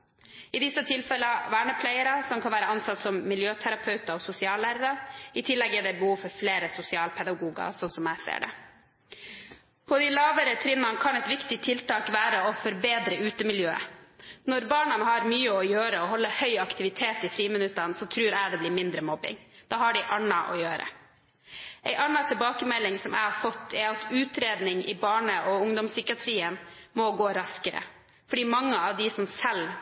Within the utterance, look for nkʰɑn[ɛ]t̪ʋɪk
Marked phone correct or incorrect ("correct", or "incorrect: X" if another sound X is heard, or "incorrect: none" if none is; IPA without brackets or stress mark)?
correct